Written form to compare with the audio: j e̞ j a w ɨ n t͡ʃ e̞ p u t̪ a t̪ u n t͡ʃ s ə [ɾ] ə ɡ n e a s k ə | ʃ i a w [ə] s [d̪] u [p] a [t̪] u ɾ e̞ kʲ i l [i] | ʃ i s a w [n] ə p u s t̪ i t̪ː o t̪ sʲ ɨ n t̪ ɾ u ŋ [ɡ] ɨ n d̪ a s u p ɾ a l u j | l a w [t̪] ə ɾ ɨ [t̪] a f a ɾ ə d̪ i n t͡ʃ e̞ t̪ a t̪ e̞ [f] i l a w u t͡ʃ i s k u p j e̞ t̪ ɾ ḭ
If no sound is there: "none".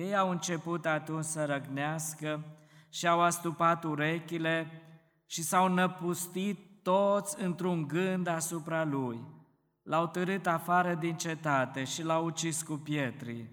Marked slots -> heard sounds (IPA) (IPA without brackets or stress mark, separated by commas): ɾ, a, t̪, p, t̪, e, n, ɡ, t̪, t̪, ʃ